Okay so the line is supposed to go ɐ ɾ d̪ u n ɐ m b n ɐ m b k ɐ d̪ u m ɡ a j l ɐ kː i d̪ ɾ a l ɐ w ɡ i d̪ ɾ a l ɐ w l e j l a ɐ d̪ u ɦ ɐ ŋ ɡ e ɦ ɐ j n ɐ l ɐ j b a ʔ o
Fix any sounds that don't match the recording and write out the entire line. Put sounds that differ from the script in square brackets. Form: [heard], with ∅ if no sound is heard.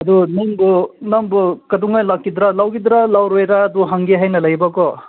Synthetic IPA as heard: ɐ [∅] d̪ u n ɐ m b n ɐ m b k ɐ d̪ u [ŋ] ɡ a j l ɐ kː i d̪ ɾ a l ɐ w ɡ i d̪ ɾ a l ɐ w [ɾ] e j [ɾ] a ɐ d̪ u ɦ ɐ ŋ ɡ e ɦ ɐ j n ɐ l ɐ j b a [k] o